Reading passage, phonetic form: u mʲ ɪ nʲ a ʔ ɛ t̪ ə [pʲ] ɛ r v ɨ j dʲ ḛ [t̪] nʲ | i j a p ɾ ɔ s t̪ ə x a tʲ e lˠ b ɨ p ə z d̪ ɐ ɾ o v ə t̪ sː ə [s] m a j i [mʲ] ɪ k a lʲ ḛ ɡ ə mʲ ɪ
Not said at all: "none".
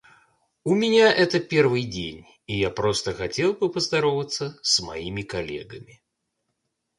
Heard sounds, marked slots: pʲ, none, s, mʲ

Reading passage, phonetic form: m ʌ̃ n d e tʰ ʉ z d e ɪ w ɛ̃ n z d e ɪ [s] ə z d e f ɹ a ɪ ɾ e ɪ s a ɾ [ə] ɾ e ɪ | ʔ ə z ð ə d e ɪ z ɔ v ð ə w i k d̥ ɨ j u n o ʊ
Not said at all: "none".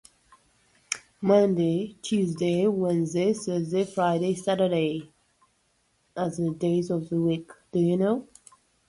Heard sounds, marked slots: s, ə

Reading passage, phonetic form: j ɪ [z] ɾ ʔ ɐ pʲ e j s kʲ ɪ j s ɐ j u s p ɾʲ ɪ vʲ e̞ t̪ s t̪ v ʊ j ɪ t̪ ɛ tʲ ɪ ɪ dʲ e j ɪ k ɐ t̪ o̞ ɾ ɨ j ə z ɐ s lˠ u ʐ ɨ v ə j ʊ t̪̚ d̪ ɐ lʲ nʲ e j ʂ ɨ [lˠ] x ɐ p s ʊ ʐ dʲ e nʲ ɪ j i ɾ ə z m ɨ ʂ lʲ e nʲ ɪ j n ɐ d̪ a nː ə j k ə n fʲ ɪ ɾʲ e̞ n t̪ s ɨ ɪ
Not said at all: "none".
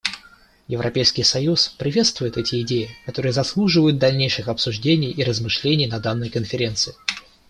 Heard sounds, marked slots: v, none

